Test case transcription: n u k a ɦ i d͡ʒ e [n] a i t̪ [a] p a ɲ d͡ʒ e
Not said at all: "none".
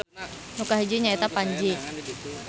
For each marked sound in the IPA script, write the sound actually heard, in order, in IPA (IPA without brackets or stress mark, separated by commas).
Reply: ɲ, a